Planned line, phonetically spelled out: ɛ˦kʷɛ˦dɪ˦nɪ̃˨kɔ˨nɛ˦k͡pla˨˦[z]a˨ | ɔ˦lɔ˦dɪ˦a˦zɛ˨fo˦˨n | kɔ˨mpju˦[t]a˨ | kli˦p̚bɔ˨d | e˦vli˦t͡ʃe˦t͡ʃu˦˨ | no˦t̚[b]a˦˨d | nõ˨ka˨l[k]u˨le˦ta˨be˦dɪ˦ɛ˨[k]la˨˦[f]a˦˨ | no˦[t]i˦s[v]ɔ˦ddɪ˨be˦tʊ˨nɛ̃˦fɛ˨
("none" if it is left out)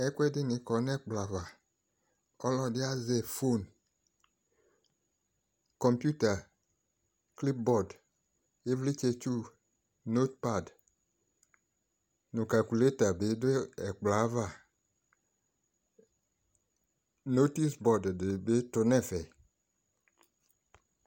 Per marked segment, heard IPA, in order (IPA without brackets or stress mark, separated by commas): v, t, p, k, k͡p, v, t, b